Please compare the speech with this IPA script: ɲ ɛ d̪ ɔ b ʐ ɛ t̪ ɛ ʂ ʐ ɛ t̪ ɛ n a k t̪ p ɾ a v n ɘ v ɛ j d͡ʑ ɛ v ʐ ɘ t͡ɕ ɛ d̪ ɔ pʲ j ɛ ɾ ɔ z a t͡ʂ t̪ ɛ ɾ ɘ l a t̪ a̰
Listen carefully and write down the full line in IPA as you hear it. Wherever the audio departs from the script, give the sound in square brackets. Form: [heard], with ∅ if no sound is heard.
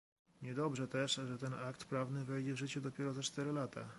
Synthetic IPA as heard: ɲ ɛ d̪ ɔ b ʐ ɛ t̪ ɛ ʂ ʐ ɛ t̪ ɛ n a k t̪ p ɾ a v n ɘ v ɛ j d͡ʑ ɛ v ʐ ɘ t͡ɕ ɛ d̪ ɔ pʲ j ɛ ɾ ɔ z a t͡ʂ t̪ ɛ ɾ ɘ l a t̪ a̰